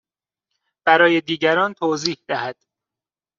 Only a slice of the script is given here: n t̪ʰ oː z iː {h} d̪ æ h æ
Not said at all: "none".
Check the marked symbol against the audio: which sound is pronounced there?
h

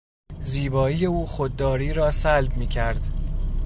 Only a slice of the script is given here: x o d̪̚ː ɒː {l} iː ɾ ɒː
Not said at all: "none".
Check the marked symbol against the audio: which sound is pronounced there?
ɾ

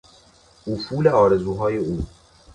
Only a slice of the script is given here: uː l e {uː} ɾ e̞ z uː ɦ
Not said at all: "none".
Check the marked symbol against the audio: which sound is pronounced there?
ɒː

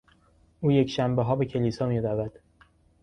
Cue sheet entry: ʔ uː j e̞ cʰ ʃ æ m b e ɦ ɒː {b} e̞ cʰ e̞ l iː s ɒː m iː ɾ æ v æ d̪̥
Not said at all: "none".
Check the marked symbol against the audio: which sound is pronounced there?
b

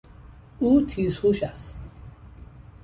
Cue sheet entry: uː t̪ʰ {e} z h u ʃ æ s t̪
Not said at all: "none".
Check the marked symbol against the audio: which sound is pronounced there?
i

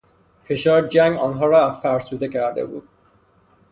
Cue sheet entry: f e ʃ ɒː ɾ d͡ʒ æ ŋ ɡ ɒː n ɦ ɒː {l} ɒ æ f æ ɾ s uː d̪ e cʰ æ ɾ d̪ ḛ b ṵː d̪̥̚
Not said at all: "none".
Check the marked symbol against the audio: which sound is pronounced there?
ɾ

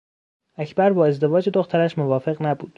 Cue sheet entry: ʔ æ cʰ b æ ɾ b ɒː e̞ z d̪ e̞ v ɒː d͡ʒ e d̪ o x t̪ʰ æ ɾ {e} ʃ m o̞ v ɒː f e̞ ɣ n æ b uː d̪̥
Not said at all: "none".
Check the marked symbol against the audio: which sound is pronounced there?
æ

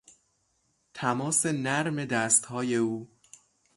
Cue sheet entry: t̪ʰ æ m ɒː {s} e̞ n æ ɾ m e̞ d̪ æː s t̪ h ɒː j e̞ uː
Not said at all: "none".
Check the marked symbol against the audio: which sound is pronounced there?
s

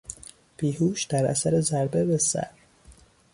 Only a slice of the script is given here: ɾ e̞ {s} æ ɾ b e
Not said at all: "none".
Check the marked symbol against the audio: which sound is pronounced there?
z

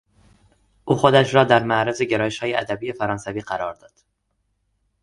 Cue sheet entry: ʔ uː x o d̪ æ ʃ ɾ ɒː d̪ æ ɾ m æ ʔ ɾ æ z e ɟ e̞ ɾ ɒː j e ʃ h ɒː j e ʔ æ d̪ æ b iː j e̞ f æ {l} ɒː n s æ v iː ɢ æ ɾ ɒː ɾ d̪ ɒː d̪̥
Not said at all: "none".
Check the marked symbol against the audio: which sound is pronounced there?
ɾ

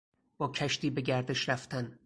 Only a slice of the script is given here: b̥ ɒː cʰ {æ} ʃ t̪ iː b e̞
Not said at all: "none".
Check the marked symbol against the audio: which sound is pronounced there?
æ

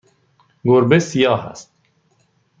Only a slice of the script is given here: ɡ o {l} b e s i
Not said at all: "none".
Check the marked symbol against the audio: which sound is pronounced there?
ɾ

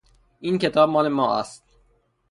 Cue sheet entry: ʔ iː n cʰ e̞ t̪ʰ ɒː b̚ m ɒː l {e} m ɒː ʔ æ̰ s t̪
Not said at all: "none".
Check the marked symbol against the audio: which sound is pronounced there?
e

